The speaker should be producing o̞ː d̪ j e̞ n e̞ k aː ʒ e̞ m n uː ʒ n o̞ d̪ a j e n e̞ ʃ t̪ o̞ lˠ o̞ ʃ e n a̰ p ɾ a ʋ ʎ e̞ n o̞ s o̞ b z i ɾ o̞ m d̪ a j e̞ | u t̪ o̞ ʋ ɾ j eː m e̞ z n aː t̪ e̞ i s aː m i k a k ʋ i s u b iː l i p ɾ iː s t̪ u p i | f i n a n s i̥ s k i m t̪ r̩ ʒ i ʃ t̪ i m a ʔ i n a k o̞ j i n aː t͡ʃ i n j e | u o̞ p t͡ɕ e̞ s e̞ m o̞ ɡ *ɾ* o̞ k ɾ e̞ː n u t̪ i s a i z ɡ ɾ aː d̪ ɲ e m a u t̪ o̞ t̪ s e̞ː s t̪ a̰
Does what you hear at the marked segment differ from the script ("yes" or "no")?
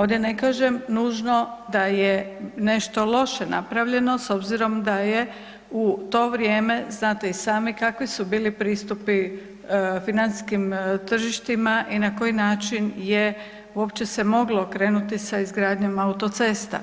yes